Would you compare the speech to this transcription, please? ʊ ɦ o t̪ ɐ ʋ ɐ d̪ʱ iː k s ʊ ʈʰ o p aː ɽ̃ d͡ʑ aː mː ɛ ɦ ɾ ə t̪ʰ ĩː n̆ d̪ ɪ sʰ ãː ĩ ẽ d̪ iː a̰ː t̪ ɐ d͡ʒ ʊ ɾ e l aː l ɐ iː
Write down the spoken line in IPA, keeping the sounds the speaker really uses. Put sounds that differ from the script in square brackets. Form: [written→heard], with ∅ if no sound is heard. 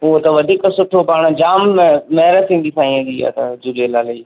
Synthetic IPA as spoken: ʊ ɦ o t̪ ɐ ʋ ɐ d̪ʱ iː k s ʊ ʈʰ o p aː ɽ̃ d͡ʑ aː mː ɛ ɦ ɾ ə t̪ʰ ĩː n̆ d̪ [ɪ→i] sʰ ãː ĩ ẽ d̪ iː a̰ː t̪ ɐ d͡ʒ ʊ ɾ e l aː l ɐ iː